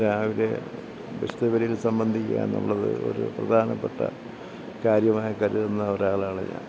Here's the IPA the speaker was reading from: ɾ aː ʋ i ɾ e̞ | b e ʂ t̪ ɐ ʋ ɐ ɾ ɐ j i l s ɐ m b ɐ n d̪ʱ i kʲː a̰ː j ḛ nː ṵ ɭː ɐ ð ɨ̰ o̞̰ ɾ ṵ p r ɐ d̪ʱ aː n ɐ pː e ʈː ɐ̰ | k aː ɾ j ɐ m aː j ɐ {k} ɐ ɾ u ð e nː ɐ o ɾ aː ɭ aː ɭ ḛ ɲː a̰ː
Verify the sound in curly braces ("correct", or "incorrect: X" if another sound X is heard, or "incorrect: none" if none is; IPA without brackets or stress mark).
correct